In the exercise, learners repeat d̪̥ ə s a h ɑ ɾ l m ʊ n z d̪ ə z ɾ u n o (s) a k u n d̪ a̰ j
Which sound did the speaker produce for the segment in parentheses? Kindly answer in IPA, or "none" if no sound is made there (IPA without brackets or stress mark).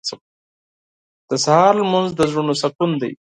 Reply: s